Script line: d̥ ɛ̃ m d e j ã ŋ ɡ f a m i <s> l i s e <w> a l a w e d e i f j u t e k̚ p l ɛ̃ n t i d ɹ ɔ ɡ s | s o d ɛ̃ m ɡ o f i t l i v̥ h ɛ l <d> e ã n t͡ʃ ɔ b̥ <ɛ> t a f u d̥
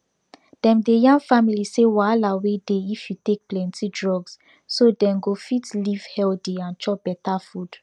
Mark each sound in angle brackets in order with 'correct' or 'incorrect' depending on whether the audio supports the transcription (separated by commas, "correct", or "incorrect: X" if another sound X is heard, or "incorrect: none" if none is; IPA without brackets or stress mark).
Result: incorrect: none, correct, correct, correct